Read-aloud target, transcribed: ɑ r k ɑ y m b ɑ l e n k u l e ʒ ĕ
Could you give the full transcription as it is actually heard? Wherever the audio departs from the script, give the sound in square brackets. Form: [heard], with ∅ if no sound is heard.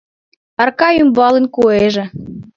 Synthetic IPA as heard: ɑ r k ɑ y m b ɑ l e n k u [∅] e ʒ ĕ